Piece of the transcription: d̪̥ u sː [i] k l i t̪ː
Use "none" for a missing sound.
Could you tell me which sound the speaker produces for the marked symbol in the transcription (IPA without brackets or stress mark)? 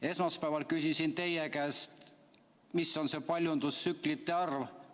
y